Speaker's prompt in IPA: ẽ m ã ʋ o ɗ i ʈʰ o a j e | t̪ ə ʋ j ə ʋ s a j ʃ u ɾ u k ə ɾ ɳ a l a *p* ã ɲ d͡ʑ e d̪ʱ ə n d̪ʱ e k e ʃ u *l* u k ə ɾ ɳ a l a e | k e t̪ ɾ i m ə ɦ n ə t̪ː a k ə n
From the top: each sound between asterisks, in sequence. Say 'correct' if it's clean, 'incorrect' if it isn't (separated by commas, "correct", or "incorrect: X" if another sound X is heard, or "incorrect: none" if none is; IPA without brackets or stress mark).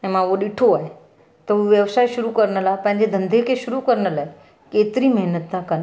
correct, incorrect: ɾ